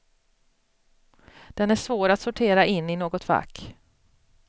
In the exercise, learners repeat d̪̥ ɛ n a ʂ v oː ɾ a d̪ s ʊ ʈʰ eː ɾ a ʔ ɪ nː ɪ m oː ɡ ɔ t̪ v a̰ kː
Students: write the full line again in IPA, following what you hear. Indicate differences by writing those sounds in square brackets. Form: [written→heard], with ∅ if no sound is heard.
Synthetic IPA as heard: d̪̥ ɛ n [a→æ] ʂ v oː ɾ a [d̪→t̪] s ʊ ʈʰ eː ɾ a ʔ ɪ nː ɪ [m→n] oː ɡ ɔ t̪ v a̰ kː